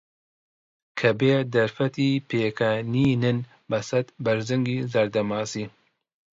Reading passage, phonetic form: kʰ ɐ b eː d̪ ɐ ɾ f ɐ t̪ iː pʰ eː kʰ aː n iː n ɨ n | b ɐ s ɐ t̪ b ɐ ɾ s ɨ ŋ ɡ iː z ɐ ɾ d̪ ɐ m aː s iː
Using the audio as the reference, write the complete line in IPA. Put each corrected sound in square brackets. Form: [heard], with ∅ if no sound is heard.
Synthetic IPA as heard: kʰ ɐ b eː d̪ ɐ ɾ f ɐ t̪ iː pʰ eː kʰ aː n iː n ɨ n | b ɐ s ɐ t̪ b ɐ ɾ [z] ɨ ŋ ɡ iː z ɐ ɾ d̪ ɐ m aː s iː